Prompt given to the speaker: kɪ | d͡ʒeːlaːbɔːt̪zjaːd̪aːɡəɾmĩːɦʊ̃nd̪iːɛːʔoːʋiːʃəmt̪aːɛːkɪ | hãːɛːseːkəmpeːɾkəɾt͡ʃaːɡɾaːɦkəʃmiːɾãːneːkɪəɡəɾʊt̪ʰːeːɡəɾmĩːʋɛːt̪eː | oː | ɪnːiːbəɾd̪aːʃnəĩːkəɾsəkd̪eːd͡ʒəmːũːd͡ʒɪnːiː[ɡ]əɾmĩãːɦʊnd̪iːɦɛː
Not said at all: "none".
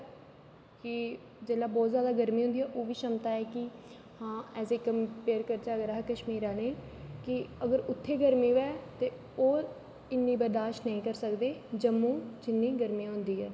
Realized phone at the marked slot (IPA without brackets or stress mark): ɡ